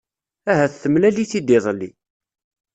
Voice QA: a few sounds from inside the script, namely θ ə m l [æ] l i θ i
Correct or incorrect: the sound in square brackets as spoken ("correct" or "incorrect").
correct